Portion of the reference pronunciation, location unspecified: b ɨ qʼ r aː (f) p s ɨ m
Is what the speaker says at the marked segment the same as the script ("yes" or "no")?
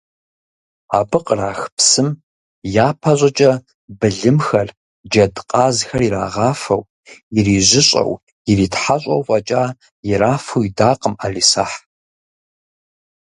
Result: no